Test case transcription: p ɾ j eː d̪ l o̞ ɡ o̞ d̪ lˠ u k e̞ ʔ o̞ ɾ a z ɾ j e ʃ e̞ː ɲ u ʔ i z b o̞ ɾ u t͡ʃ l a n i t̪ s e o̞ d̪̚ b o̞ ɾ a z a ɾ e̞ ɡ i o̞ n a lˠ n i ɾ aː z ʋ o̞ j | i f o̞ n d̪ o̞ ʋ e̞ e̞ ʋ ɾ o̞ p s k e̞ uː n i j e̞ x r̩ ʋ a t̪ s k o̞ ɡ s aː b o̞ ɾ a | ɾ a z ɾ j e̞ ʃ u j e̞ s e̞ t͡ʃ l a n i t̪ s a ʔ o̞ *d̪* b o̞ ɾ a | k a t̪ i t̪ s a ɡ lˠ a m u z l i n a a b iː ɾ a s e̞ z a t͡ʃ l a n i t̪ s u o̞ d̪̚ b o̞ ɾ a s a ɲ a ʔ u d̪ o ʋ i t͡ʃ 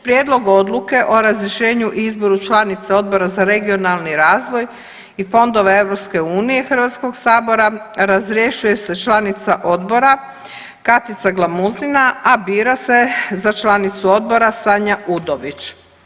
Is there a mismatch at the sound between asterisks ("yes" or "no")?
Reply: no